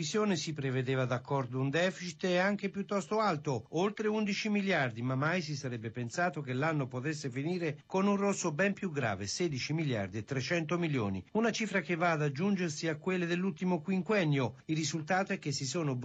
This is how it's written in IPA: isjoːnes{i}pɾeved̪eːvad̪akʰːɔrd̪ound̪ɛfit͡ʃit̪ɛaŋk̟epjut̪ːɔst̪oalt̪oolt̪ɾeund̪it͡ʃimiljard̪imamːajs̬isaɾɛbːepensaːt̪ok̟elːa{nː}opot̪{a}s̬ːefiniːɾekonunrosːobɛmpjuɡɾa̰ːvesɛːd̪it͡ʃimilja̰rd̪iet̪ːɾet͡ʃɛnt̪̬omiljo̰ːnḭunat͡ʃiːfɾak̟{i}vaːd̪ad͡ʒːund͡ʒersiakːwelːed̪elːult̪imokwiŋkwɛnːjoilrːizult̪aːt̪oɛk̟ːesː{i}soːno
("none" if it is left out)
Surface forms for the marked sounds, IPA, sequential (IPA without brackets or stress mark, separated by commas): i, nː, e, e, i